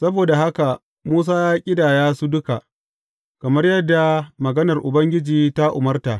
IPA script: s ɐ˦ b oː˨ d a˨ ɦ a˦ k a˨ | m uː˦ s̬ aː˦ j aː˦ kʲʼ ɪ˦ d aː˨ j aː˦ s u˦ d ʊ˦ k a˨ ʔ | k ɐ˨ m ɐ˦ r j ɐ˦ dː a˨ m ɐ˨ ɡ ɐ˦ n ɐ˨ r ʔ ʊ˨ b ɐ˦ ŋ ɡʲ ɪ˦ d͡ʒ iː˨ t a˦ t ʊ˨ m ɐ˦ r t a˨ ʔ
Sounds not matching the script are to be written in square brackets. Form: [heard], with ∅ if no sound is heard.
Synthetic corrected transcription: s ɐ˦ b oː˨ d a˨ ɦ a˦ k a˨ | m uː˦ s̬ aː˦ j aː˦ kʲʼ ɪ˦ d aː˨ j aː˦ s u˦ d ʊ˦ k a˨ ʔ | k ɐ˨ m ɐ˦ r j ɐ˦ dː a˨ m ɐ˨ ɡ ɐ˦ n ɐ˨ r ʔ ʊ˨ b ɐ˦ ŋ ɡʲ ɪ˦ d͡ʒ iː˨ t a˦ [ʔ] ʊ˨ m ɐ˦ r t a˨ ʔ